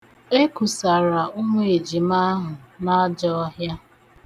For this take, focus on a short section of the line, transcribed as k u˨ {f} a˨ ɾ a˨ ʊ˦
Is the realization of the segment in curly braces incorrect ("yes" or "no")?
yes